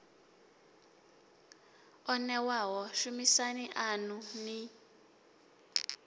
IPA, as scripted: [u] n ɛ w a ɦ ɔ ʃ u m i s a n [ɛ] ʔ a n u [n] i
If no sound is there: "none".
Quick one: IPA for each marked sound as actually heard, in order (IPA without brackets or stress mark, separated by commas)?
ɔ, i, n